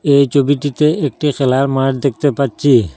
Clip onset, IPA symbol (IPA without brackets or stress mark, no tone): e